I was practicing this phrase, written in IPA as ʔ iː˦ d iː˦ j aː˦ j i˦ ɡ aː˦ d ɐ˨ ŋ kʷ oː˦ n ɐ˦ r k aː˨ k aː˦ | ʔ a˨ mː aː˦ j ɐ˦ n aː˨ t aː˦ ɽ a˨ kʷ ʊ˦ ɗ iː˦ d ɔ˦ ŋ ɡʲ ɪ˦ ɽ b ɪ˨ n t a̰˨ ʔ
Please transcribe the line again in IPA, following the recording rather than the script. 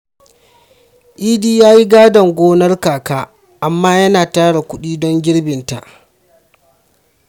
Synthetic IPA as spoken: ʔ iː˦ d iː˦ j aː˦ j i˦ ɡ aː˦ d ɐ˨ ŋ ɡʷ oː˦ n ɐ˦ r k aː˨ k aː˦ | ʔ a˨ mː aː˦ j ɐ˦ n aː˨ t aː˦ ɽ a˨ kʷ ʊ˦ ɗ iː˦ d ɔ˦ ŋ ɡʲ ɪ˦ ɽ b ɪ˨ n t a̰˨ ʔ